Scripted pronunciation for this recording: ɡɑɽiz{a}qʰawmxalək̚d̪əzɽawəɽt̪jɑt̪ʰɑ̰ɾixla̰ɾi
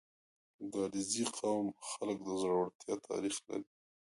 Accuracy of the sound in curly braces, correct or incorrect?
incorrect